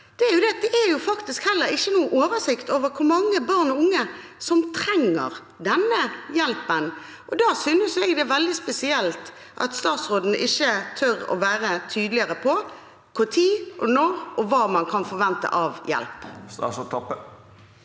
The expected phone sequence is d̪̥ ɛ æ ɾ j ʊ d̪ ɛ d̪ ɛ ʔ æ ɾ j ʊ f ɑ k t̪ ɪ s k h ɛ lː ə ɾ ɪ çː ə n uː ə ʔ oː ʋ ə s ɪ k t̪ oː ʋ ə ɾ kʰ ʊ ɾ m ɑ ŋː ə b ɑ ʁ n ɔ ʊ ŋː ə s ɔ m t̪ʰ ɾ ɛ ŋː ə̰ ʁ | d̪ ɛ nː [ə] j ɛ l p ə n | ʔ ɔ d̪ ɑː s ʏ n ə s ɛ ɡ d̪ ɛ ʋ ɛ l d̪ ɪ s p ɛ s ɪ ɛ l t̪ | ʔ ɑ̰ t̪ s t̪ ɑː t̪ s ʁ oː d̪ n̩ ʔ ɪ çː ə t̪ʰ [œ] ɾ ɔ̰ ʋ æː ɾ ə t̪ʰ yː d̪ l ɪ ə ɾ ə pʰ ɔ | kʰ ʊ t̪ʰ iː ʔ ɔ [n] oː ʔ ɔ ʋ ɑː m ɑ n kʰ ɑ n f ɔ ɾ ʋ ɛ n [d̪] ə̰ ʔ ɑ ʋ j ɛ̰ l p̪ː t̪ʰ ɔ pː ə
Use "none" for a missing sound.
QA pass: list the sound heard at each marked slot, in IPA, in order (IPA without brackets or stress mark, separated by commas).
ə, œ, n, t̪